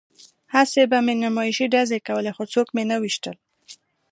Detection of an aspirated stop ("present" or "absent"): absent